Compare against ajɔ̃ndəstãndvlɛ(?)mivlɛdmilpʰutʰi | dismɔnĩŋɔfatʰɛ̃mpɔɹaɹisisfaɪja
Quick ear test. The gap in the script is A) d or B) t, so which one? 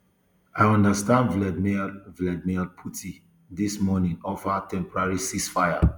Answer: A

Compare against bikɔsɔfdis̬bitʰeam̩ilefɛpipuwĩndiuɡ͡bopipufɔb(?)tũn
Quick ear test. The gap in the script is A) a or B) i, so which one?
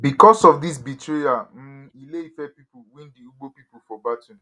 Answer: A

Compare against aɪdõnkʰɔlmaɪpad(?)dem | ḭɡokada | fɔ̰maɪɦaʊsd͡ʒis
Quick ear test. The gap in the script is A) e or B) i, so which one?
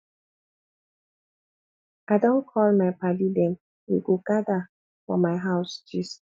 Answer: B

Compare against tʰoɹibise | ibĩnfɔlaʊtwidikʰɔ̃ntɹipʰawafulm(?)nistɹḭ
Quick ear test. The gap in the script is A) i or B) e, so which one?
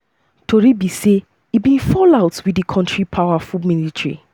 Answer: A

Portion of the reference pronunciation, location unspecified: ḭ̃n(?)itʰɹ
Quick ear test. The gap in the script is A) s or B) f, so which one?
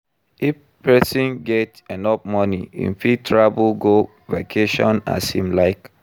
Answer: B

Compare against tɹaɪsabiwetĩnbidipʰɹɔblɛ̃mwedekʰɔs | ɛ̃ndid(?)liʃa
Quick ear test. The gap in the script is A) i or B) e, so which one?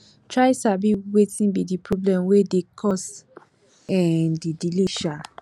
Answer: A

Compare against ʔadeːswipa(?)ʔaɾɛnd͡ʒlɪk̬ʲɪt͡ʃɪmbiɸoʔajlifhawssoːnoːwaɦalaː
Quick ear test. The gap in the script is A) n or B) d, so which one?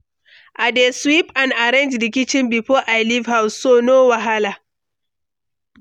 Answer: A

